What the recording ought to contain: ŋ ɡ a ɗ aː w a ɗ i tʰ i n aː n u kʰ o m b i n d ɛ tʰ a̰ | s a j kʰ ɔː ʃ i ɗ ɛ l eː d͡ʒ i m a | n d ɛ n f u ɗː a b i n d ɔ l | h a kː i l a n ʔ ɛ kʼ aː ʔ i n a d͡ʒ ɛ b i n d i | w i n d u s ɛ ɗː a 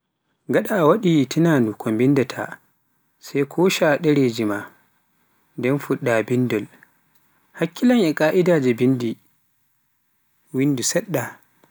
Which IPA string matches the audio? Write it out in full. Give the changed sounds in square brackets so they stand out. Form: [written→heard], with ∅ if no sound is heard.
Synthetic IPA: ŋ ɡ a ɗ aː w a ɗ i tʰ i n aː n u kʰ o m b i n d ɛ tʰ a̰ | s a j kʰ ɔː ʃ [i→a] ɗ ɛ [l→ɾ] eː d͡ʒ i m a | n d ɛ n f u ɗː a b i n d ɔ l | h a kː i l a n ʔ ɛ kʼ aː ʔ i [n→d] a d͡ʒ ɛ b i n d i | w i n d u s ɛ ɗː a